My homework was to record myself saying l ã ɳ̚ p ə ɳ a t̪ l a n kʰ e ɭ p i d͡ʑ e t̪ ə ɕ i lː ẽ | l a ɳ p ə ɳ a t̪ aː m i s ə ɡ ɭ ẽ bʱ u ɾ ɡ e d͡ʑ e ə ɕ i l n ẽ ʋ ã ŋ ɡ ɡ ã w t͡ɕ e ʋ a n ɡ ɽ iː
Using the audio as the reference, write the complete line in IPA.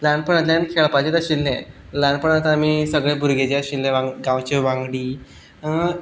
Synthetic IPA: l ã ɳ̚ p ə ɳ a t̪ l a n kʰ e ɭ p a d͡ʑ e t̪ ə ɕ i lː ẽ | l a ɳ p ə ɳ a t̪ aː m i s ə ɡ ɭ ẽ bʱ u ɾ ɡ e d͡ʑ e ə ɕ i l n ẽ ʋ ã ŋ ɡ ɡ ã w t͡ɕ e ʋ a ŋ ɡ ɽ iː